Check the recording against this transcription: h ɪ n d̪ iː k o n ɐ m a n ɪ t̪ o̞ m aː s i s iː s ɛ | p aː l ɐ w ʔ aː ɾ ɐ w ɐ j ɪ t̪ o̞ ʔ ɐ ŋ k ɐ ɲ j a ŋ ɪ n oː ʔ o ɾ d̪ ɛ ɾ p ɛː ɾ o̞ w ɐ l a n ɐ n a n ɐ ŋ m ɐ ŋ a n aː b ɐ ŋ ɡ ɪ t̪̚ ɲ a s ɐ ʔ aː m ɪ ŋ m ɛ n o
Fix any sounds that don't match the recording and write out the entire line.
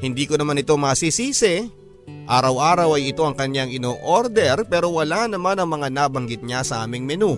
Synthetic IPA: h ɪ n d̪ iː k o n ɐ m a n ɪ t̪ o̞ m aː s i s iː s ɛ | ʔ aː ɾ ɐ w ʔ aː ɾ ɐ w ɐ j ɪ t̪ o̞ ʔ ɐ ŋ k ɐ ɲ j a ŋ ɪ n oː ʔ o ɾ d̪ ɛ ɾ p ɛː ɾ o̞ w ɐ l a n ɐ m a n ɐ ŋ m ɐ ŋ a n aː b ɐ ŋ ɡ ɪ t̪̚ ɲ a s ɐ ʔ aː m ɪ ŋ m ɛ n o